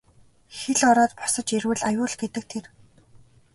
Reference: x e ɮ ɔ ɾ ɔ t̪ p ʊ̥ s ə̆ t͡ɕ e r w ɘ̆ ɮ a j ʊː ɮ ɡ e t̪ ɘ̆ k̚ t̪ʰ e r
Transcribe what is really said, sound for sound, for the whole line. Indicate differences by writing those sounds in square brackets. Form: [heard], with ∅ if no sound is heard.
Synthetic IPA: x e ɮ ɔ ɾ [ɔː] t̪ p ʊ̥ s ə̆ t͡ɕ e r w ɘ̆ ɮ a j ʊː ɮ ɡ e t̪ ɘ̆ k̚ t̪ʰ e r